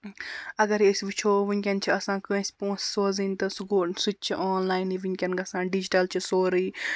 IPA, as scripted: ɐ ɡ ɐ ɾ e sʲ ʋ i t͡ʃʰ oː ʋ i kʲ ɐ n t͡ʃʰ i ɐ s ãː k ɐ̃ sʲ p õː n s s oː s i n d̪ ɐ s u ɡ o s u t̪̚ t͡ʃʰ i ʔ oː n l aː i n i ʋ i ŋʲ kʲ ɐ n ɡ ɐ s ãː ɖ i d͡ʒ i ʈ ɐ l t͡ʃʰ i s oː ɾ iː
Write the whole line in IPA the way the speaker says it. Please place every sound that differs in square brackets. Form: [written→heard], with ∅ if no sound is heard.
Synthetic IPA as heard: ɐ ɡ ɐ ɾ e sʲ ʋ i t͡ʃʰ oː ʋ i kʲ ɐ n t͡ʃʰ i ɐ s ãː k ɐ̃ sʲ p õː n s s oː [s→z] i n [d̪→t̪] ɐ s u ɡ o s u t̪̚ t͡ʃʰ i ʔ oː n l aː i n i ʋ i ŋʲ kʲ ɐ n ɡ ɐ s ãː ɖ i d͡ʒ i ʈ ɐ l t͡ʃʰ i s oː ɾ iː